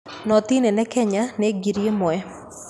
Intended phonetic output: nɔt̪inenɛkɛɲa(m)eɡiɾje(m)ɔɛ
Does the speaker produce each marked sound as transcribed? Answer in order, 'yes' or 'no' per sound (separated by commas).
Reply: no, yes